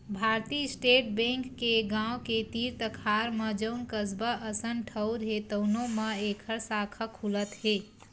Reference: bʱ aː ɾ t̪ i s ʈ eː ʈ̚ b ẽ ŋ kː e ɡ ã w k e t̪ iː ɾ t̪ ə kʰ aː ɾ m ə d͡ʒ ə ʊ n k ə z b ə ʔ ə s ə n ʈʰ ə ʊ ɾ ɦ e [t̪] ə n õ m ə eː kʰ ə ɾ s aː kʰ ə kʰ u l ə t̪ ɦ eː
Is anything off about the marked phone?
no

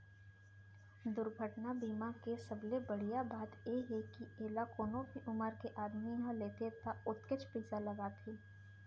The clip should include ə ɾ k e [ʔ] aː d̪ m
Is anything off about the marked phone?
no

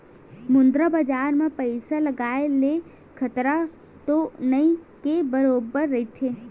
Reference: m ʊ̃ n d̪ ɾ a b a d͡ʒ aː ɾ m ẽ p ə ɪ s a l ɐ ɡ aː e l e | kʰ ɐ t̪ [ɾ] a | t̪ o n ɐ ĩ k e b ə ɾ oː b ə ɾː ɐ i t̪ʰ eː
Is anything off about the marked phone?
no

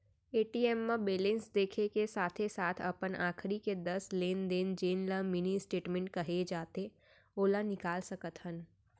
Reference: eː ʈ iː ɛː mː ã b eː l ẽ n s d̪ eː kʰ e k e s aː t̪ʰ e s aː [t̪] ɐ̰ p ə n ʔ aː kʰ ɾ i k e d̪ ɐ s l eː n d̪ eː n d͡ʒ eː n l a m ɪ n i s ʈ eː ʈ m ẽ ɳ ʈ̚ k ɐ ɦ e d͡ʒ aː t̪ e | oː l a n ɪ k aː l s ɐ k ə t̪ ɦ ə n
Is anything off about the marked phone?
yes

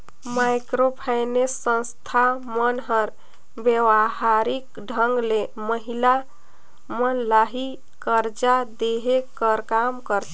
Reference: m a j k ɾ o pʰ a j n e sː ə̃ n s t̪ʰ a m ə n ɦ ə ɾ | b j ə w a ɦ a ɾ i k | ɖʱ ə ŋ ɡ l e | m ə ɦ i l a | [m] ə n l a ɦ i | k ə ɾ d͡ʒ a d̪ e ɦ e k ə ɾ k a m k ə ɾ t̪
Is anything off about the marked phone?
no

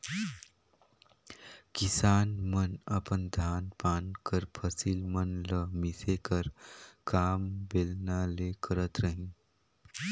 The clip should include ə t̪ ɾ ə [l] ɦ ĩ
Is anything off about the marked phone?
yes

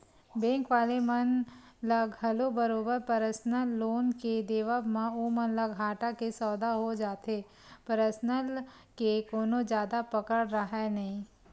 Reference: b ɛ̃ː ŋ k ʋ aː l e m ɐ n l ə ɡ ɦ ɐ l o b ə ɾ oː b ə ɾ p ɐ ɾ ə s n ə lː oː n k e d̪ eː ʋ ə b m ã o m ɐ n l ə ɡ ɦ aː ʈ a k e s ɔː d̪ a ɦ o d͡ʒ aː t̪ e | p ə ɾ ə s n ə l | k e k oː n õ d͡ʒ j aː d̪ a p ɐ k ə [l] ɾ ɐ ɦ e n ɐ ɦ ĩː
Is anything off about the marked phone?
yes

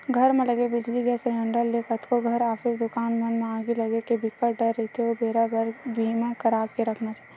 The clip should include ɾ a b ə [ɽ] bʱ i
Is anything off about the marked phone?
yes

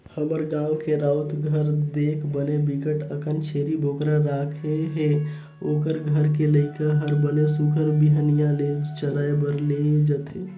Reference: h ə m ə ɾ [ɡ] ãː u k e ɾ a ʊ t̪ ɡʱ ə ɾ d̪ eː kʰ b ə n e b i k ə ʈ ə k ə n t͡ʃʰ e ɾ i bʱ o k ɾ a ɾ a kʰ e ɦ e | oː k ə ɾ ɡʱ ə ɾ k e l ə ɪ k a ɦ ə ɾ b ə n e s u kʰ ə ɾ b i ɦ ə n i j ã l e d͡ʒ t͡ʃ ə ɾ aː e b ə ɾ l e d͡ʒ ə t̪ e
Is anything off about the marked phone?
no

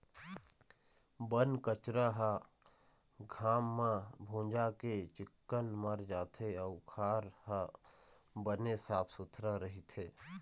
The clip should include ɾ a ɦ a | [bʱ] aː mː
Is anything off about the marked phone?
yes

